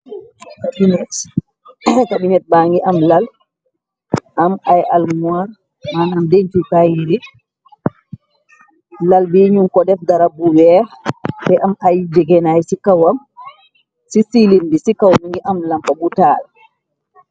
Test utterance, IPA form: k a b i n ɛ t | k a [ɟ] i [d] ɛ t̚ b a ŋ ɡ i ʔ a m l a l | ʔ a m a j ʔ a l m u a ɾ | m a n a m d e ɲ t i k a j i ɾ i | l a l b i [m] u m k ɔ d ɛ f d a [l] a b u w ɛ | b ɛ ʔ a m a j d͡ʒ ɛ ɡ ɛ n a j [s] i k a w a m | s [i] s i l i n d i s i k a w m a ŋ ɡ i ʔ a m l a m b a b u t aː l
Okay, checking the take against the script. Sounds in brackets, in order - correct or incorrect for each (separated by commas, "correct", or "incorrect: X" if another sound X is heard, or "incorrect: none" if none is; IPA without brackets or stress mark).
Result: incorrect: b, incorrect: n, incorrect: ɲ, incorrect: ɾ, correct, correct